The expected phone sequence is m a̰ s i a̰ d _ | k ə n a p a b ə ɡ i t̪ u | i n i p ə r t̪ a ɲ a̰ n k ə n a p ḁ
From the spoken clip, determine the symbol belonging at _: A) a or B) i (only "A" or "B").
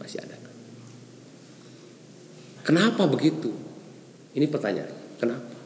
A